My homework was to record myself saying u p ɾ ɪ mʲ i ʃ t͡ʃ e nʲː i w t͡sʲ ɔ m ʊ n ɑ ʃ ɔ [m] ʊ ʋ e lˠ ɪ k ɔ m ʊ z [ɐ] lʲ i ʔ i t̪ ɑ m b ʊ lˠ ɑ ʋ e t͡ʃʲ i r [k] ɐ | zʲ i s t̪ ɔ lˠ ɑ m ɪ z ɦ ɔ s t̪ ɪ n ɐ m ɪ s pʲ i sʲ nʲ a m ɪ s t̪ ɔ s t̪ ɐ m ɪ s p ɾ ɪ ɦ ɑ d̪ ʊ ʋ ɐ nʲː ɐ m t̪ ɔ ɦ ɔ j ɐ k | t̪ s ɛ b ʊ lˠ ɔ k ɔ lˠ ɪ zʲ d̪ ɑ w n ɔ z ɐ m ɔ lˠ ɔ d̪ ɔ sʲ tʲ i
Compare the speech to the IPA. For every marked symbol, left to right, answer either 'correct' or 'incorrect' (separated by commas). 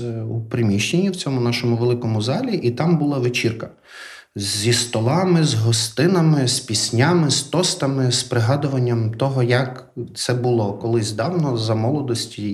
correct, incorrect, correct